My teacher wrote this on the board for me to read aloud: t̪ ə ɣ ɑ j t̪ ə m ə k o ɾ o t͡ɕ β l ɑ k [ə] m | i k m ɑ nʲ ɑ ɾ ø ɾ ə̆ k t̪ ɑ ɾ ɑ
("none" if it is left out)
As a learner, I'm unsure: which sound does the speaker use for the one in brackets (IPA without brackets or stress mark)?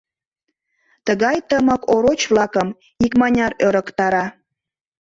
ə